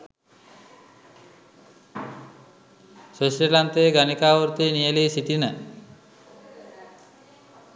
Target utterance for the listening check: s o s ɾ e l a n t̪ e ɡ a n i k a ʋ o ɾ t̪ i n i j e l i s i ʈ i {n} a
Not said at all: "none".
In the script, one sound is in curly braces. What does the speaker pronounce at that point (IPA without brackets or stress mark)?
n